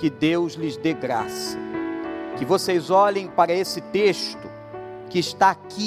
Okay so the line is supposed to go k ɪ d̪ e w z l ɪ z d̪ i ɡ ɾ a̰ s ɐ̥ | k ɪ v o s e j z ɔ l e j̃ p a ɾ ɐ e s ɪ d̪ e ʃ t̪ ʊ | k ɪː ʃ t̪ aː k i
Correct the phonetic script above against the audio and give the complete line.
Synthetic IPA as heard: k ɪ d̪ e w z l ɪ z d̪ e ɡ ɾ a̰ s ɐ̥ | k ɪ v o s e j z ɔ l ẽ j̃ p a ɾ ɐ e s ɪ t̪ e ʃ t̪ ʊ | k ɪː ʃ t̪ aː k i